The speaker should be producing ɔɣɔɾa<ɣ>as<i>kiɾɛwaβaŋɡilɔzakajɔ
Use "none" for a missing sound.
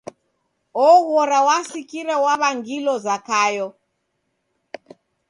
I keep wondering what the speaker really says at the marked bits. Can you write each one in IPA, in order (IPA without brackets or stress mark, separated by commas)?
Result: w, i